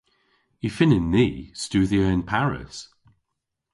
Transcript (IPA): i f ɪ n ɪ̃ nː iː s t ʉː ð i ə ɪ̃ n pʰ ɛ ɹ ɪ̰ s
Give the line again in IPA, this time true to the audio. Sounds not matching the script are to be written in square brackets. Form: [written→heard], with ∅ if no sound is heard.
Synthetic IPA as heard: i f ɪ n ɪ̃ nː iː s t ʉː ð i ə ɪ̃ n pʰ [ɛ→a] ɹ ɪ̰ s